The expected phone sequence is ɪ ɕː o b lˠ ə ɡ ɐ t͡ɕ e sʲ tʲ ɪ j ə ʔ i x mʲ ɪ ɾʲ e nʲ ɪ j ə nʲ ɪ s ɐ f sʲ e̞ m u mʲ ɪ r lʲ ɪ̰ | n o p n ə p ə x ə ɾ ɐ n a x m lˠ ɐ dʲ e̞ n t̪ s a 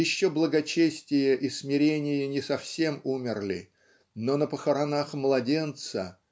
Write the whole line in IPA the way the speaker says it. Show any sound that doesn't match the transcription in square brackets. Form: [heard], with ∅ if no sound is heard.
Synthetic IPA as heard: ɪ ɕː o b lˠ ə ɡ ɐ t͡ɕ e sʲ tʲ ɪ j ə ʔ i [s] mʲ ɪ ɾʲ e nʲ ɪ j ə nʲ ɪ s ɐ f sʲ e̞ m u mʲ ɪ r lʲ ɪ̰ | n o [∅] n ə p ə x ə ɾ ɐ n a x m lˠ ɐ dʲ e̞ n t̪ s [ə]